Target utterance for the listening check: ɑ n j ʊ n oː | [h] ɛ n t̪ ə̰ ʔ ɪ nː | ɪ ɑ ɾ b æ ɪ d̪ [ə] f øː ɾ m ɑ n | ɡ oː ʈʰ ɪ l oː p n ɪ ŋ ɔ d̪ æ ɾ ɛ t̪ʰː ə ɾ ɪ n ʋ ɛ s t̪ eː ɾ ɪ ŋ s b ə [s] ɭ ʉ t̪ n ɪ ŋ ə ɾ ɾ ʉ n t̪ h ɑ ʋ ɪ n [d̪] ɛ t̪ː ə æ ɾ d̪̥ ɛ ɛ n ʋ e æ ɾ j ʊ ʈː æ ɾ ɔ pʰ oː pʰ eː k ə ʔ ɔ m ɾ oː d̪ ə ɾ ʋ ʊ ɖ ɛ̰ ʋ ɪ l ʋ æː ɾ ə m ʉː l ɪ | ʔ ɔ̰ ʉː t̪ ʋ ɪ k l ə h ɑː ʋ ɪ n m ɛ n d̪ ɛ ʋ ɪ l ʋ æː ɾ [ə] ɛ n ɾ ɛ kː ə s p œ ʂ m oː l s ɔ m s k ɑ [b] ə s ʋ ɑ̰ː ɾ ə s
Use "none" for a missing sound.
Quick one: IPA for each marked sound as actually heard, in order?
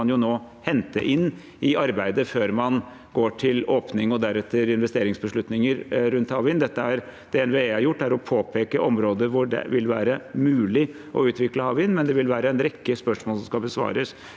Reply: h, ə, ʂ, d̪, ə, b

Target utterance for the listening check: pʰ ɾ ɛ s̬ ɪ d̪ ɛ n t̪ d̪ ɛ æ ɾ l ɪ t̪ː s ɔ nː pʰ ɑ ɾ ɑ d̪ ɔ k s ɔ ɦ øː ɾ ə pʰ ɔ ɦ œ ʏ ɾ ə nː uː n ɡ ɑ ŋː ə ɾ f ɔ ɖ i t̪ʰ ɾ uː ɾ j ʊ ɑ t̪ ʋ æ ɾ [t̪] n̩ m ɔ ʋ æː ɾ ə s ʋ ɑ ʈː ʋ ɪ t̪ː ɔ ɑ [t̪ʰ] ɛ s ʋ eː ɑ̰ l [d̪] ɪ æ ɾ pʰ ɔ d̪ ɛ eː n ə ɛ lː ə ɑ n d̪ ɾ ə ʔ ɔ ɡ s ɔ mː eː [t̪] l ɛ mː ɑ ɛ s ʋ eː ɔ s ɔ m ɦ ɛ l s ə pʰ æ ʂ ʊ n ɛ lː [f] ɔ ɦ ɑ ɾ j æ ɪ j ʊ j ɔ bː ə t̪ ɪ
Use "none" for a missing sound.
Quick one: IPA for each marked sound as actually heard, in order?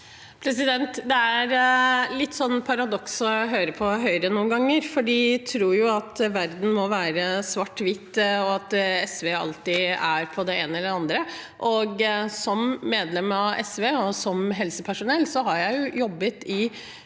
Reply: d̪, t̪, t̪, d̪, s

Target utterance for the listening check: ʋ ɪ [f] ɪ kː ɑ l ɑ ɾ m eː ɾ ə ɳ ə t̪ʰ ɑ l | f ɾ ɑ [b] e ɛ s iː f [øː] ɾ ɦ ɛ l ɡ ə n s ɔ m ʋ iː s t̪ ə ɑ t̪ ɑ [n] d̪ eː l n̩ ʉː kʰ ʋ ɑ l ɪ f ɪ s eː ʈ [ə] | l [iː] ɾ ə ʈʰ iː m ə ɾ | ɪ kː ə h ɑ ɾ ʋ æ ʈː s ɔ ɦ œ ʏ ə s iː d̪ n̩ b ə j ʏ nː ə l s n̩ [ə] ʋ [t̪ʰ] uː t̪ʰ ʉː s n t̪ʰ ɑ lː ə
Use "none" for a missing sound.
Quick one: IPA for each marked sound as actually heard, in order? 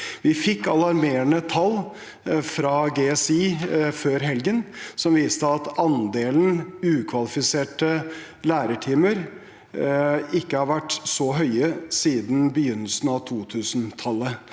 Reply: f, ɡ, øː, n, ə, æː, ɑ, t̪ʰ

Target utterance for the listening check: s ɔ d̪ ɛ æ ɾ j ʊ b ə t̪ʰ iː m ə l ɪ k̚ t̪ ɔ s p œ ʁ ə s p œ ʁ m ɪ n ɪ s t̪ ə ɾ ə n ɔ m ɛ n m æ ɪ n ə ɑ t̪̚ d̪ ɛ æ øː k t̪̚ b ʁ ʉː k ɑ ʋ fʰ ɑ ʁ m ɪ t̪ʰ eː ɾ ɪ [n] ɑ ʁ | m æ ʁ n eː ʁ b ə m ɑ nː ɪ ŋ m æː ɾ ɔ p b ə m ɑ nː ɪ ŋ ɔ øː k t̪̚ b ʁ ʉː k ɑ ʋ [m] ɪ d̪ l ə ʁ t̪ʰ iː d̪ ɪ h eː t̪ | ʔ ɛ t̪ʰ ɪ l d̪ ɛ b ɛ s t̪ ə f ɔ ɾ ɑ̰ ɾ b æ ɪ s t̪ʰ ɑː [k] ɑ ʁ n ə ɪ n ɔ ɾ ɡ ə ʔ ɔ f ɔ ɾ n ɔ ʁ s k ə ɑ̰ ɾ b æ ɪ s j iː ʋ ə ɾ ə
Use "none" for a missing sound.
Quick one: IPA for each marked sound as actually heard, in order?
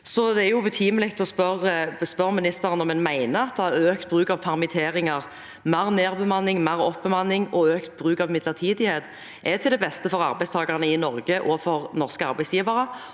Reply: ŋ, m, ɡ

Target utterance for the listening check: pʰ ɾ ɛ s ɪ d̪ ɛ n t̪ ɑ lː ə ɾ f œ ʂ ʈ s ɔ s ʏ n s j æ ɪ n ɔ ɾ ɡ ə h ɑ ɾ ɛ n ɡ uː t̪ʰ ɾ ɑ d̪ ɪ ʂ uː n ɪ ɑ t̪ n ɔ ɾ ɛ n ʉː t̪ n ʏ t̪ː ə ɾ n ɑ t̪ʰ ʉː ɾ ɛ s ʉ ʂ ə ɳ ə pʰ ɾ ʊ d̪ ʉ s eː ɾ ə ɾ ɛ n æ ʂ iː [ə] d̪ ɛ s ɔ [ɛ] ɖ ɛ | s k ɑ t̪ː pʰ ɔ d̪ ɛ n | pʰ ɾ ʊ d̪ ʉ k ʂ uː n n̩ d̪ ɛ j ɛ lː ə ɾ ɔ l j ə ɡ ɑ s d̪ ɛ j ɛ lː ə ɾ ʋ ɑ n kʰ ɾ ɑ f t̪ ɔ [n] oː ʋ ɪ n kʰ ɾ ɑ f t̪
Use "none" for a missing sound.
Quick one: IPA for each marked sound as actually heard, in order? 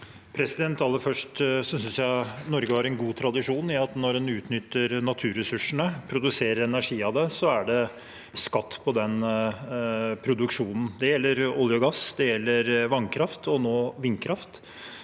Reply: ɑ, æ, n

